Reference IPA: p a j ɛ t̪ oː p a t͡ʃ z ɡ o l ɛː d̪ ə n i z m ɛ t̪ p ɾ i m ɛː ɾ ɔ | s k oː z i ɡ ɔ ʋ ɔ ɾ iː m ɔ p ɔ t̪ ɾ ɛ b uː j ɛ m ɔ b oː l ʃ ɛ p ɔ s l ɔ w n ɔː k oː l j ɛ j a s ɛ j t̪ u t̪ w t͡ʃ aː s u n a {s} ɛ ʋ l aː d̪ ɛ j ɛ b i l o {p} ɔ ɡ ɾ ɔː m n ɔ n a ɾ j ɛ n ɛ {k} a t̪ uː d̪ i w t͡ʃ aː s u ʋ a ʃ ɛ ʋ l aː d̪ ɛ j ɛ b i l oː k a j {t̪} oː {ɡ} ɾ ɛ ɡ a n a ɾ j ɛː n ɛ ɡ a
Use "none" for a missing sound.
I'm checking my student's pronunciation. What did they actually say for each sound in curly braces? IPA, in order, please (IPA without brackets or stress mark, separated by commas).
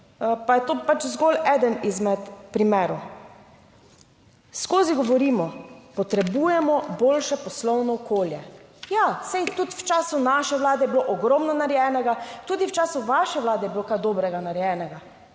ʃ, ʔ, ɡ, d̪, b